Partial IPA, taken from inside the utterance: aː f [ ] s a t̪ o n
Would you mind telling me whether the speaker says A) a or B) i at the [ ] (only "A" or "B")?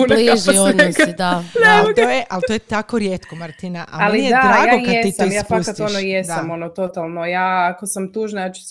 A